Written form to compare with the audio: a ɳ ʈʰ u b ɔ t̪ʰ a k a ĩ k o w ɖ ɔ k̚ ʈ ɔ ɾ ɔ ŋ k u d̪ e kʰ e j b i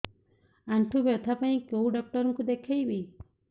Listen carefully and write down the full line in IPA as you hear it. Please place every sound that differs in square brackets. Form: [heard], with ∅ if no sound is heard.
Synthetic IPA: a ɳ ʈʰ u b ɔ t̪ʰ a [p] a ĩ k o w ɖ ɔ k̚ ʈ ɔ ɾ ɔ ŋ k u d̪ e kʰ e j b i

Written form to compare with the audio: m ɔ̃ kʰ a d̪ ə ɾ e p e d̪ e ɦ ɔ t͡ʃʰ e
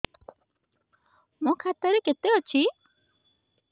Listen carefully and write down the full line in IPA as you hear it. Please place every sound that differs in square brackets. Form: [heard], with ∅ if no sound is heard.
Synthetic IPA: m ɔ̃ kʰ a [t̪] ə ɾ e [k] e [t̪] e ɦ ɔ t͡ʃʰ [i]

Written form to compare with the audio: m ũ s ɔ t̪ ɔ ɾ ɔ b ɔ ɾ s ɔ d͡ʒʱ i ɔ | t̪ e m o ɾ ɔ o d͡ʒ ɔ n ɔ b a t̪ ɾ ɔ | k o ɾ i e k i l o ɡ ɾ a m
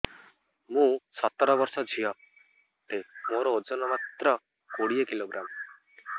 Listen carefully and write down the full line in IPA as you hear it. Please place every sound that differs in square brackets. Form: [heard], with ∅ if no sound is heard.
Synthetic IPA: m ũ s ɔ t̪ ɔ ɾ ɔ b ɔ ɾ s ɔ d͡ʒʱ i ɔ | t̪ e m o ɾ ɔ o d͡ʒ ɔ n ɔ [m] a t̪ ɾ ɔ | k o [ɽ] i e k i l o ɡ ɾ a m

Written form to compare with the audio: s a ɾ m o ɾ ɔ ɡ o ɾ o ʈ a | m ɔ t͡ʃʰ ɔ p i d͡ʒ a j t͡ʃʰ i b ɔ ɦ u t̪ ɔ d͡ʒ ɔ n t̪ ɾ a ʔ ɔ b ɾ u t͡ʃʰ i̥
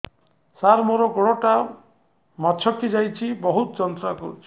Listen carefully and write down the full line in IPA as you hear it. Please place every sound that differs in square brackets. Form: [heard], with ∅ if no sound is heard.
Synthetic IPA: s a ɾ m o ɾ ɔ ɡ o [ɽ] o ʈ a | m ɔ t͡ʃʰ ɔ [k] i d͡ʒ a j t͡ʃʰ i b ɔ ɦ u t̪ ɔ d͡ʒ ɔ n t̪ ɾ a [k] ɔ [∅] ɾ u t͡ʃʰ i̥

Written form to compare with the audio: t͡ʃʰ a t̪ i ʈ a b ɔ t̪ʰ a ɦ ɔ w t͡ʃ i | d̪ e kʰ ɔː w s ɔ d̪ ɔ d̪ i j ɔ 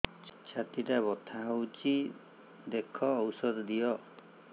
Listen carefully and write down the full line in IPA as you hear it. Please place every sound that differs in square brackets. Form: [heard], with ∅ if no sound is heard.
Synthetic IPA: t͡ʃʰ a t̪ i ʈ a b ɔ t̪ʰ a ɦ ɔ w t͡ʃ i | d̪ e kʰ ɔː w s ɔ d̪ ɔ d̪ i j ɔ

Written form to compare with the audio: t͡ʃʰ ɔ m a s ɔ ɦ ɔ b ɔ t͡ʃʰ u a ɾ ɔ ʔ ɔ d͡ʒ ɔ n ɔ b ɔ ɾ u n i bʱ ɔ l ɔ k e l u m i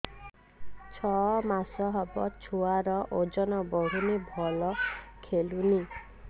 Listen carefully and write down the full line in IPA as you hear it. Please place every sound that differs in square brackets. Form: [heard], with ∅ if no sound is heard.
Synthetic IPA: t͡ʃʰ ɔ m a s ɔ ɦ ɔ b ɔ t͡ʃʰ u a ɾ ɔ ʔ [o] d͡ʒ ɔ n ɔ b ɔ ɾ u n i bʱ ɔ l ɔ [kʰ] e l u [n] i

